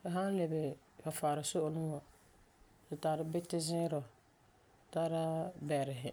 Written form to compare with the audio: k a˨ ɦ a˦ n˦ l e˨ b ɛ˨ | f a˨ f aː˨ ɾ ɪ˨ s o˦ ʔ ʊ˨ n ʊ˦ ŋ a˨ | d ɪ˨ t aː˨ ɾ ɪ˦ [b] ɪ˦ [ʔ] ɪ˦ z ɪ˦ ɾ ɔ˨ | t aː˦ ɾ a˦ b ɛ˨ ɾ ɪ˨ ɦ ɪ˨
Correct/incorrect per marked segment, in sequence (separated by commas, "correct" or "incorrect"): correct, incorrect